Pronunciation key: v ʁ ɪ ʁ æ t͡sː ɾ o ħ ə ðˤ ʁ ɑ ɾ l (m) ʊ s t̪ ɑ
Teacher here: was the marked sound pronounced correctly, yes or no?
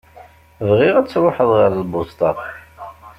no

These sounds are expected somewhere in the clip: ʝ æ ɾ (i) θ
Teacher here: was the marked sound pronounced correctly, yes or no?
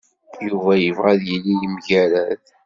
no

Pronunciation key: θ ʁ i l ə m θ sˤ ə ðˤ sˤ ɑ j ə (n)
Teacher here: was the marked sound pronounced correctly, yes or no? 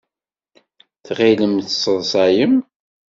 no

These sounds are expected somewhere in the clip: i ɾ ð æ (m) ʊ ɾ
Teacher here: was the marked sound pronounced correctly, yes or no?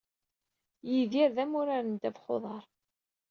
yes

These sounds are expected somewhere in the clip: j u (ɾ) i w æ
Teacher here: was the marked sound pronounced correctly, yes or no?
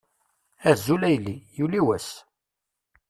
no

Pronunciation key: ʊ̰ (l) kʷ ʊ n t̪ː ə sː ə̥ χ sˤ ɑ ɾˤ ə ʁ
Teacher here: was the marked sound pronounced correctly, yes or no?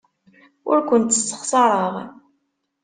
no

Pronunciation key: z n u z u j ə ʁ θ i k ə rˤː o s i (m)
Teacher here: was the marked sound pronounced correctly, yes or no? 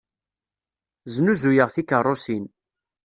no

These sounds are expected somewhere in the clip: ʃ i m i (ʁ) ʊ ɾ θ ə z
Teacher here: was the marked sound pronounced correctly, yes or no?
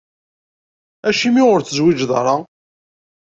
yes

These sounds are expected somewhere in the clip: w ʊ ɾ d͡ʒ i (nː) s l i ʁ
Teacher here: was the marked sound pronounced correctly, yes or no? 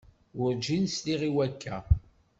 no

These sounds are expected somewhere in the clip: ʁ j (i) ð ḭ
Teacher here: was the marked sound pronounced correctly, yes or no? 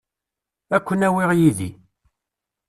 yes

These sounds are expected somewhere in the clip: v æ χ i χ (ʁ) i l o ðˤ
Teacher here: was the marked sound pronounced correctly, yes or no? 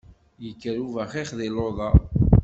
no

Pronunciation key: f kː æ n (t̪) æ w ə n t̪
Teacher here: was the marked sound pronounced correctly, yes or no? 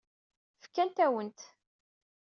yes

